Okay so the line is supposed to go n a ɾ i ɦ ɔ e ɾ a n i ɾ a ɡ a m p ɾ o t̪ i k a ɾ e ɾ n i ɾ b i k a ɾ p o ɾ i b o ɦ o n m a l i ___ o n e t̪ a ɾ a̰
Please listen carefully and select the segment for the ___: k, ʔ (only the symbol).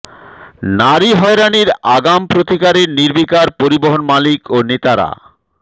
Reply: k